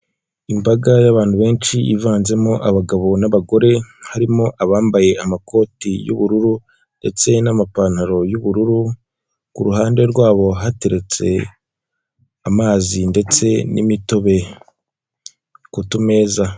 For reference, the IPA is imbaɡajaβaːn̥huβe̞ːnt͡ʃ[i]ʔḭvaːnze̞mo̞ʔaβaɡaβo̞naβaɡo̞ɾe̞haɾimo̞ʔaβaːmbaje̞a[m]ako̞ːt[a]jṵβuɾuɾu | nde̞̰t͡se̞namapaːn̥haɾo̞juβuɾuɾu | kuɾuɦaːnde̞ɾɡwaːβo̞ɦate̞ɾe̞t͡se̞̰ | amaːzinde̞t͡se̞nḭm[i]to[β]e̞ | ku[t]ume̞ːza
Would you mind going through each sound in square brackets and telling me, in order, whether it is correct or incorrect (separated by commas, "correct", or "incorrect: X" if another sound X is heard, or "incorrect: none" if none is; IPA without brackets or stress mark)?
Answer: correct, correct, incorrect: i, correct, correct, correct